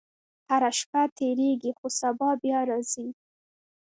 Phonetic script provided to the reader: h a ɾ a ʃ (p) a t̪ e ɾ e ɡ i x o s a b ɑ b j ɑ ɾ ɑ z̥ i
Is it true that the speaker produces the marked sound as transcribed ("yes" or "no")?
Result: yes